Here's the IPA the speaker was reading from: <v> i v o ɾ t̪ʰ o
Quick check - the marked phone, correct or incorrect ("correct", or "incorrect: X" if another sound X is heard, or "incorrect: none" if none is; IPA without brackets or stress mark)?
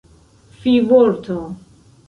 incorrect: f